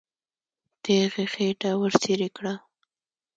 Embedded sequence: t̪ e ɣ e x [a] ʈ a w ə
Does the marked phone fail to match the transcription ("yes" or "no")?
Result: yes